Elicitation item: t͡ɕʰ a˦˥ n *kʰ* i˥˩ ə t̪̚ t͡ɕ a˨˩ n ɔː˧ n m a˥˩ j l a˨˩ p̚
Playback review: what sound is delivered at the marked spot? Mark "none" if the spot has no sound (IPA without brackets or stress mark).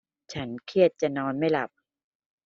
kʰ